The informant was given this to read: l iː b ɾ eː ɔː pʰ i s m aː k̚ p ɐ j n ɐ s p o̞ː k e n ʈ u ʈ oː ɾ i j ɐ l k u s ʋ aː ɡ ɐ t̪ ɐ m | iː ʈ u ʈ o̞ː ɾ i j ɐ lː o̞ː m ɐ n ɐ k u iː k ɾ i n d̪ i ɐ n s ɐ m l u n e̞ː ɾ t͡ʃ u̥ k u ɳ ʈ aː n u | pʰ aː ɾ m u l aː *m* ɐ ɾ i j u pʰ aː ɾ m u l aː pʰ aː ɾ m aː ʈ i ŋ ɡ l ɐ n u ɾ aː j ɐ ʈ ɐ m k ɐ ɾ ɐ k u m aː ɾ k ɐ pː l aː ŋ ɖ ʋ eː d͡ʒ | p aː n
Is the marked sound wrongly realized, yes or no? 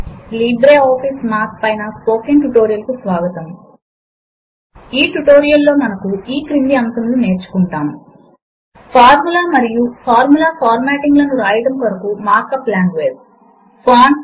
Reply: no